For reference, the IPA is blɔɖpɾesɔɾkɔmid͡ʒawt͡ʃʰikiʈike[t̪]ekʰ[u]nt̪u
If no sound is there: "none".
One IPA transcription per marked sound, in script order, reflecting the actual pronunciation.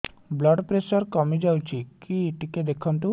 d̪, ɔ

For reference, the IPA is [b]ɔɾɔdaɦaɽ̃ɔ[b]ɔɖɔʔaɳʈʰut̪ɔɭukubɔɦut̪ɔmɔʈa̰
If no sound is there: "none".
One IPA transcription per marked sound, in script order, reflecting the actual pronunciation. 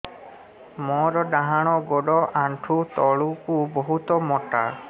m, ɡ

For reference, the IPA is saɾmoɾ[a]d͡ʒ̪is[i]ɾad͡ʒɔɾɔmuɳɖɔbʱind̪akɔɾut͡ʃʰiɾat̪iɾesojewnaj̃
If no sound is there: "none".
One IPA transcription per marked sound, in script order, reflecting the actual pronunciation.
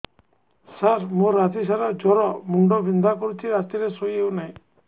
a, a

